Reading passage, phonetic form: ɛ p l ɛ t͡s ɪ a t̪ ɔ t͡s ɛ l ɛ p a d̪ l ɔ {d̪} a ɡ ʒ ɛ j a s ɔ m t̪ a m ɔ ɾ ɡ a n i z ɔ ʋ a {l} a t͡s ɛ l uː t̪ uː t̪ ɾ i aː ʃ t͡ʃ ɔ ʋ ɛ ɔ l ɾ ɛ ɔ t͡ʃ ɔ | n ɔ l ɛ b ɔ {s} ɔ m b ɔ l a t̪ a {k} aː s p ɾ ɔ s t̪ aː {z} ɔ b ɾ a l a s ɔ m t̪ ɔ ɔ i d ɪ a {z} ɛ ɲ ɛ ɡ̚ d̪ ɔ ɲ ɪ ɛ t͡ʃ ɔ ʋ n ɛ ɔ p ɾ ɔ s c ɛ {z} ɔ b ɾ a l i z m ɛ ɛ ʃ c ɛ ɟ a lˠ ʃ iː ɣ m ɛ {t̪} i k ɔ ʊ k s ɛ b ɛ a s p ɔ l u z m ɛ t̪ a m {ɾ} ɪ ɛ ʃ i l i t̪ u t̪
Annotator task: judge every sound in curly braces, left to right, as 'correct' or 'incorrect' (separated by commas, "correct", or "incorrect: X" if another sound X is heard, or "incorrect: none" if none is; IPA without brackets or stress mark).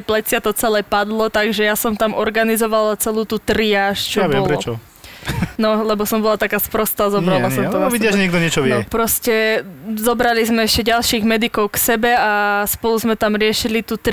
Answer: incorrect: t̪, correct, correct, correct, correct, incorrect: ʒ, correct, incorrect: d̪, correct